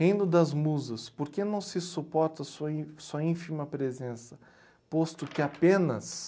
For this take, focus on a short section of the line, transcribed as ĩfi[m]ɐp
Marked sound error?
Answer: no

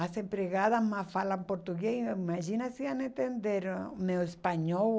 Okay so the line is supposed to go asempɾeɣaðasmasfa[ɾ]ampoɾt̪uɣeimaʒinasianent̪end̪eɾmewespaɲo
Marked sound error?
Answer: yes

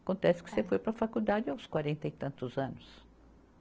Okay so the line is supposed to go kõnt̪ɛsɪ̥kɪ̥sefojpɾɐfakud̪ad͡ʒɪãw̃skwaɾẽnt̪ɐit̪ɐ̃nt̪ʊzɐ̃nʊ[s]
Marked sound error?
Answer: no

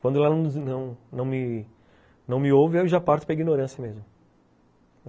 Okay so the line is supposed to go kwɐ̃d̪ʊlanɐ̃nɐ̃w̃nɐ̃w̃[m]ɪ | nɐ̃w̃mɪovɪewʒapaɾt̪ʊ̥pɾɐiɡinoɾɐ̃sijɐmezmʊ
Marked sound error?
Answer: no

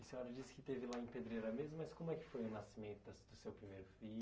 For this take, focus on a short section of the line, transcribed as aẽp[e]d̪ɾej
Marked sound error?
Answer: no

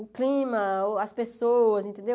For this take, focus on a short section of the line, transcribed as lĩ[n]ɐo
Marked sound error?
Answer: yes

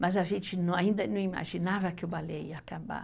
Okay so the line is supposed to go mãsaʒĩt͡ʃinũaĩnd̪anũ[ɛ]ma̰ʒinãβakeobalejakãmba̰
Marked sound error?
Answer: yes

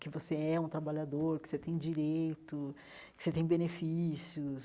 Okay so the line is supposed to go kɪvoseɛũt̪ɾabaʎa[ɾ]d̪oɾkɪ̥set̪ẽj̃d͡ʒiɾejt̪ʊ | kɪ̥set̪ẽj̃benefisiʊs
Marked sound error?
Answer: yes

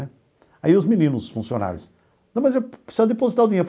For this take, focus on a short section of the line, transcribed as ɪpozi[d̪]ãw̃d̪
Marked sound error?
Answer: yes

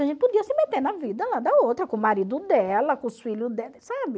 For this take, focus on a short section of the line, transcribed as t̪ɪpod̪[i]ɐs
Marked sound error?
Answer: no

